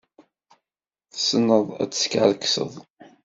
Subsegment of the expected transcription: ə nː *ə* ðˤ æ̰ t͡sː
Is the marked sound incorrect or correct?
correct